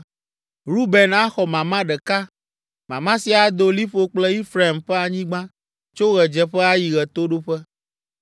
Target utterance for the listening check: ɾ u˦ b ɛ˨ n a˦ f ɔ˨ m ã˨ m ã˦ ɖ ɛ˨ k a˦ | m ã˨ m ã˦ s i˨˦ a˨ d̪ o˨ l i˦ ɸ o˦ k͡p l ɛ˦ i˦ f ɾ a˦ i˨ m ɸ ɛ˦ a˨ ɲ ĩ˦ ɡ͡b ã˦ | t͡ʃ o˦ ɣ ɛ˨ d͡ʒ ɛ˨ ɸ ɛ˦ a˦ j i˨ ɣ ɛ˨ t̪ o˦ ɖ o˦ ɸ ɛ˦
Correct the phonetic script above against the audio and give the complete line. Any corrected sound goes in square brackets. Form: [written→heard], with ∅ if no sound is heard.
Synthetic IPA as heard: ɾ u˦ b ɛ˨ n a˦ [f→x] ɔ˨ m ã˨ m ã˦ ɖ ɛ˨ k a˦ | m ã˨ m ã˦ s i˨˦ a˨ d̪ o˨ l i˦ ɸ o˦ k͡p l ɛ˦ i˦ f ɾ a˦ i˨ m ɸ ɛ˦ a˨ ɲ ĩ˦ ɡ͡b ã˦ | t͡ʃ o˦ ɣ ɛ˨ d͡ʒ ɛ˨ ɸ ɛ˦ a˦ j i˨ ɣ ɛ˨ t̪ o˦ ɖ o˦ ɸ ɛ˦